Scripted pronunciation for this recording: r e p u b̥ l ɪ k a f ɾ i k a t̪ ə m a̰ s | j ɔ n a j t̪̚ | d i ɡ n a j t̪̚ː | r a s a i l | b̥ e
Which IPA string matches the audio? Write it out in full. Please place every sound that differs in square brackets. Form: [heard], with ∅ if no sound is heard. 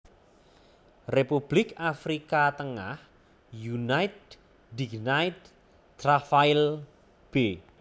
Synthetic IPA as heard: r e p u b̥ l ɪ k a f ɾ i k a t̪ ə [ŋ] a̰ [h] | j [u] n a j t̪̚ | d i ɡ n a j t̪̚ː | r a [f] a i l | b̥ e